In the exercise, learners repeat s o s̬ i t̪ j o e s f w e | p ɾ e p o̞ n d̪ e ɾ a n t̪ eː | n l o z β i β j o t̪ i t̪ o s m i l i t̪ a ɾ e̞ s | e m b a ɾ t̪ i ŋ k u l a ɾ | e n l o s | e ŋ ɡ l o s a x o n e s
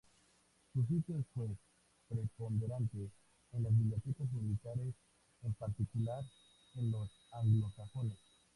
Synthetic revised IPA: s u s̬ i t̪ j o e s f w e | p ɾ e p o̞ n d̪ e ɾ a n t̪ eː | n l o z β i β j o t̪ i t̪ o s m i l i t̪ a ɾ e̞ s | e m p a ɾ t̪ i k u l a ɾ | e n l o s | a ŋ ɡ l o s a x o n e s